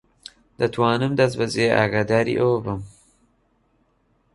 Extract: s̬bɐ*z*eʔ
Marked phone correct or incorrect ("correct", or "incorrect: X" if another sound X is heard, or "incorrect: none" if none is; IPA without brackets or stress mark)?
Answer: correct